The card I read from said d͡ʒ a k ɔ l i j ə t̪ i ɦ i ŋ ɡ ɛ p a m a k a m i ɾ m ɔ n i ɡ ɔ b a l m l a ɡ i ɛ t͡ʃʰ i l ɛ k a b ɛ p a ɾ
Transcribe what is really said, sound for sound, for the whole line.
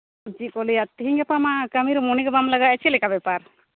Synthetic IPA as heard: d͡ʒ i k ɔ l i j a t̪ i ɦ i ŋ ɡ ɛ p a m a k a m i ɾ m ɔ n i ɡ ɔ b a m l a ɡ a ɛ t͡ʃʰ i l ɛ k a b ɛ p a ɾ